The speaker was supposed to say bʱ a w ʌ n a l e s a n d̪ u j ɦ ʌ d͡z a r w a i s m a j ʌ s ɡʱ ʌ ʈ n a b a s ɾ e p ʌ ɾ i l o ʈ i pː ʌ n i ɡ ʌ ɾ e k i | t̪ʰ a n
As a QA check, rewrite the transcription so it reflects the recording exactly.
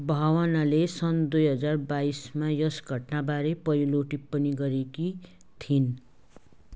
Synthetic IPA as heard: bʱ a w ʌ n a l e s ʌ n d̪ u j ɦ ʌ d͡z a r b a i s m a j ʌ s ɡʱ ʌ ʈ n a b a ɾ e p ʌ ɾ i l o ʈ i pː ʌ n i ɡ ʌ ɾ e k i | t̪ʰ i n